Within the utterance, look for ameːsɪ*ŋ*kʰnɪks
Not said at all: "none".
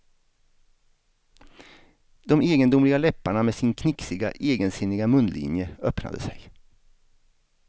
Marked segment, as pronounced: n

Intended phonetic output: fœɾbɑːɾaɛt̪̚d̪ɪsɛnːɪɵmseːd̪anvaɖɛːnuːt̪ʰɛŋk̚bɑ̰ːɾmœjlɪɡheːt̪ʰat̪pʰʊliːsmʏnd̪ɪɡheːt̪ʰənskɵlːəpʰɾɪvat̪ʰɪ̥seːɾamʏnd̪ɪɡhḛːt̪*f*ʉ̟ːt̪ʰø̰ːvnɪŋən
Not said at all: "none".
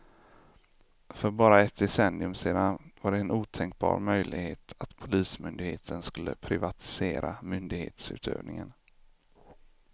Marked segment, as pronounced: s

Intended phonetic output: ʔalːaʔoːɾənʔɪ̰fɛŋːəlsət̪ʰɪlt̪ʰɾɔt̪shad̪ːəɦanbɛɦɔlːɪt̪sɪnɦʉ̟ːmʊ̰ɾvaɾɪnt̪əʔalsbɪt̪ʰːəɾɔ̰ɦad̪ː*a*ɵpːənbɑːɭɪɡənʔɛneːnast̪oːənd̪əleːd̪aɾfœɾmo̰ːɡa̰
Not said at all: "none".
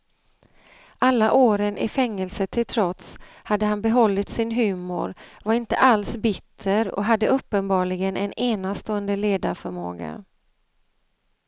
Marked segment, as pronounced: ə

